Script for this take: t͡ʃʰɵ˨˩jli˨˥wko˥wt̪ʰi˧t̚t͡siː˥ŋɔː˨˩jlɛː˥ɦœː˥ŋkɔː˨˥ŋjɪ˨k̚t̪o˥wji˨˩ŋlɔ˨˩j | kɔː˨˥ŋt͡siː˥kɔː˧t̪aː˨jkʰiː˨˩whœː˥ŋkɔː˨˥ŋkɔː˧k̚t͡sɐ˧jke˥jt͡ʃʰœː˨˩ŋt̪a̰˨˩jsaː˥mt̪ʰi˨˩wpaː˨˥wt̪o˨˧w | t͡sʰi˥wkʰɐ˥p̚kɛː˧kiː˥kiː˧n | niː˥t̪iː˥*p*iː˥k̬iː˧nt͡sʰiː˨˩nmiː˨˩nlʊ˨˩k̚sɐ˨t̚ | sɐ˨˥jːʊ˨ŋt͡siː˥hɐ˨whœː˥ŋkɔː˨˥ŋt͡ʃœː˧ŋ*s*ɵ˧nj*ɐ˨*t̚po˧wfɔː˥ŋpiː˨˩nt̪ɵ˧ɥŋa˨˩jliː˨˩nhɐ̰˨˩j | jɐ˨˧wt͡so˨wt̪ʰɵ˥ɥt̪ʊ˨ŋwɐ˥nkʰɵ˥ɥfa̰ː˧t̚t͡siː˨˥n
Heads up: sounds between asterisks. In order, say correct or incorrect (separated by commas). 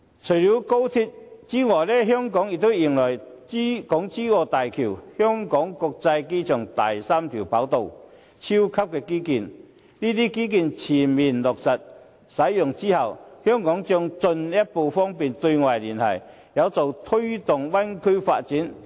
incorrect, incorrect, incorrect